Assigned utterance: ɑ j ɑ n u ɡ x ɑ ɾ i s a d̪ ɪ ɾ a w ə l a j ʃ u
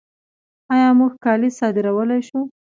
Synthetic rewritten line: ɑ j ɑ m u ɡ k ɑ l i s ɑ d̪ ɪ ɾ a w ə l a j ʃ u